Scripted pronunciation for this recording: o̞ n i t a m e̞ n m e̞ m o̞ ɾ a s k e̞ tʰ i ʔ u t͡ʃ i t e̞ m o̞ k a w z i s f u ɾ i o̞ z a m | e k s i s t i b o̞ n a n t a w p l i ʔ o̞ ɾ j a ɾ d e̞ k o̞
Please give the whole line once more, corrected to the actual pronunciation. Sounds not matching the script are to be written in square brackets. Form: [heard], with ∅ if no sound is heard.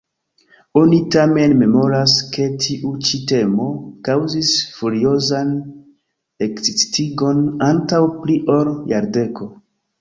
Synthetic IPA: o̞ n i t a m e̞ n m e̞ m o̞ ɾ a s k e̞ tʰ i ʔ u t͡ʃ i t e̞ m o̞ k a w z i s f u ɾ i o̞ z a [n] | e k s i s t i [ɡ] o̞ n a n t a w p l i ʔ o̞ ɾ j a ɾ d e̞ k o̞